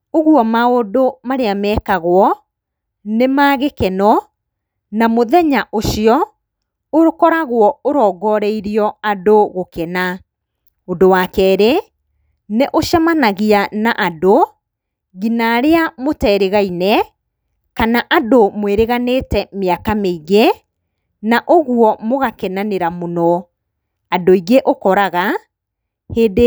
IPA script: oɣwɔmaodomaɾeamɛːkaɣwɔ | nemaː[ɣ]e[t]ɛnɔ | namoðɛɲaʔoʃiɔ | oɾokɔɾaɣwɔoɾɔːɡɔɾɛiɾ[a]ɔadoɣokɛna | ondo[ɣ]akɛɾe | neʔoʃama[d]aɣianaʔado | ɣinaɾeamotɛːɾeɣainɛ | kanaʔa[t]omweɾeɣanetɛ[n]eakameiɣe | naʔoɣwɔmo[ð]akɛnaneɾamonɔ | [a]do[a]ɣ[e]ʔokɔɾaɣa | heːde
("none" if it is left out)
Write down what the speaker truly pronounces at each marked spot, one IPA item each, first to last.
ɣ, k, i, w, n, d, m, ɣ, a, i, e

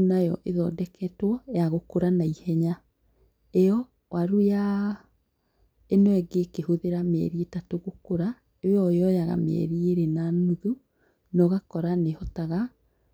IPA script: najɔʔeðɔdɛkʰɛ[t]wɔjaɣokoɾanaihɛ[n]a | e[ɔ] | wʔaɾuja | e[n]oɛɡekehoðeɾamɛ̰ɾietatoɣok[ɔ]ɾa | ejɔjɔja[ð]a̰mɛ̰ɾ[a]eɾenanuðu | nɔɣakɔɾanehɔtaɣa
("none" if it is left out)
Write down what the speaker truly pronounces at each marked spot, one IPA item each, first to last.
t, ɲ, ɔ, n, o, ɣ, i

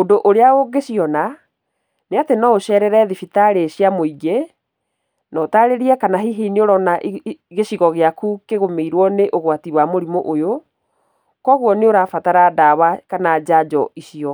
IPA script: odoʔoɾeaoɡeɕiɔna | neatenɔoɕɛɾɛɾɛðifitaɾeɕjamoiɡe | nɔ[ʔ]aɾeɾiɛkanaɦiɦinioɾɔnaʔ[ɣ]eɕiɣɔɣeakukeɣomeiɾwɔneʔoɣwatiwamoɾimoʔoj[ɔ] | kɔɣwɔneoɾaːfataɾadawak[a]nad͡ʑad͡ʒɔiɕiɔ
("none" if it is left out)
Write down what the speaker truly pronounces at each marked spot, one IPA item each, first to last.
t, ɣ, o, a

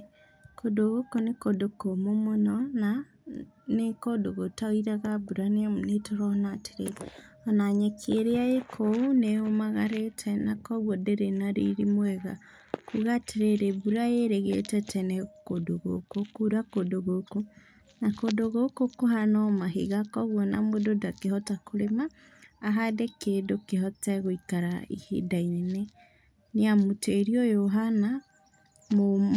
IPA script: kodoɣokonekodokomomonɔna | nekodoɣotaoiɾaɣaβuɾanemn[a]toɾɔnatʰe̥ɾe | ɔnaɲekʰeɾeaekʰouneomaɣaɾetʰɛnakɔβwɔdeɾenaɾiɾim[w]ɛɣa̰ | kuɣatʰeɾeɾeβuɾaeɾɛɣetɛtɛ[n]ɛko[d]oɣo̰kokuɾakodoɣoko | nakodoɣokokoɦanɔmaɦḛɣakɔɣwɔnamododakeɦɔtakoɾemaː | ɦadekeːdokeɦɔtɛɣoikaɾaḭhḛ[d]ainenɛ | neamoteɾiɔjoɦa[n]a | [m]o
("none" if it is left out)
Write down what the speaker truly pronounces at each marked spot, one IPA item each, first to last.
e, w, n, d, d, n, m

